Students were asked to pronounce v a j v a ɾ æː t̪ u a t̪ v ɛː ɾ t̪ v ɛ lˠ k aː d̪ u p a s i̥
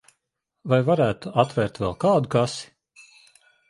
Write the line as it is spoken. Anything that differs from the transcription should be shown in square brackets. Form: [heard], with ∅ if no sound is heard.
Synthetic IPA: v a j v a ɾ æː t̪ u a t̪ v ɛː ɾ t̪ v ɛ lˠ k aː d̪ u [k] a s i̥